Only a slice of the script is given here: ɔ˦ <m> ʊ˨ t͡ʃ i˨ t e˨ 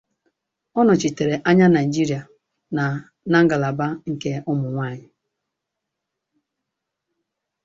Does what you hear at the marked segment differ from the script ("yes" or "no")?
yes